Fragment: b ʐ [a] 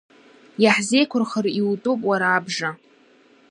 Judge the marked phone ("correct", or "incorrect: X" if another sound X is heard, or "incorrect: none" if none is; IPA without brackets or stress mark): correct